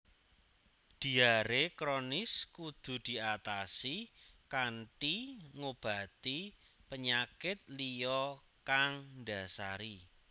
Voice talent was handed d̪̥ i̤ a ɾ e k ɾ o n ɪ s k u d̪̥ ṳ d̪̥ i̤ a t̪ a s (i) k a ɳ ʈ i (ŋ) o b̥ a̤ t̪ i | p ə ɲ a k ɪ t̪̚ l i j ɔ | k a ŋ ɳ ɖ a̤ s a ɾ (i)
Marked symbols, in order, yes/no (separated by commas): yes, yes, yes